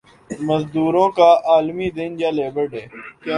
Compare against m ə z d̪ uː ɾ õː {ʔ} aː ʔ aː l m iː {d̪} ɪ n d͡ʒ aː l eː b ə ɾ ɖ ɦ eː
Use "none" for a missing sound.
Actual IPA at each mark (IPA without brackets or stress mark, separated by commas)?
k, d̪